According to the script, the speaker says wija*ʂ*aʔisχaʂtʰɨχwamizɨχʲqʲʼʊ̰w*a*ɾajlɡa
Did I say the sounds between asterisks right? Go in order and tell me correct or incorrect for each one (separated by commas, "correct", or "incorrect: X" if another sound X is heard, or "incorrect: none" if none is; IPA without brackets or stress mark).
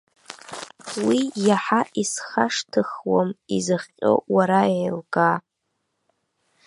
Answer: incorrect: ħ, correct